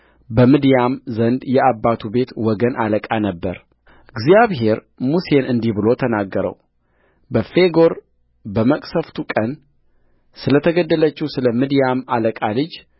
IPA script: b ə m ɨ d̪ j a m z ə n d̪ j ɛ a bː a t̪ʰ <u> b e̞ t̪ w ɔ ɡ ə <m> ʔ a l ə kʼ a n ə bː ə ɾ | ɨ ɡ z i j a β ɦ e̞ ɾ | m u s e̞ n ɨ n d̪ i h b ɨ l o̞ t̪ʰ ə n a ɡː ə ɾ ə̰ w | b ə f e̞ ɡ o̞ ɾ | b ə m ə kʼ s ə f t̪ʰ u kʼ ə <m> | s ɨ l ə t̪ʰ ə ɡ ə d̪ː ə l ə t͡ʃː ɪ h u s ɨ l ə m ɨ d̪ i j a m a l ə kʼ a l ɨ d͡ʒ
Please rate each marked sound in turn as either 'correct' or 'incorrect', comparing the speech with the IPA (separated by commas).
correct, incorrect, incorrect